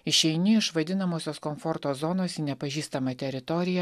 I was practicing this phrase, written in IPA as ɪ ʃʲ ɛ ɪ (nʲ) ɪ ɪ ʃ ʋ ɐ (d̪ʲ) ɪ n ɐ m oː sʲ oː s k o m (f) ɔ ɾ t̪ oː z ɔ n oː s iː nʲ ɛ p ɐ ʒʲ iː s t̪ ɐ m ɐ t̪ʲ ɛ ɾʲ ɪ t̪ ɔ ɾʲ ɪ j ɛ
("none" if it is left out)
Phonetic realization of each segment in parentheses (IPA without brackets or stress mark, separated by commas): nʲ, d̪ʲ, f